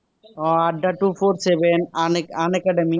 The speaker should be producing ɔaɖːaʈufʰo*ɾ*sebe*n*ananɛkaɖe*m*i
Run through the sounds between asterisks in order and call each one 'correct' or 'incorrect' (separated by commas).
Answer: correct, correct, correct